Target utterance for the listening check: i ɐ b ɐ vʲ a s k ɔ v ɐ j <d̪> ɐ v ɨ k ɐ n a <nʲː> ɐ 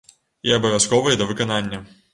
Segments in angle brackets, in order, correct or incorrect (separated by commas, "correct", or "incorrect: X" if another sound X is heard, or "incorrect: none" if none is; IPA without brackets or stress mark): correct, correct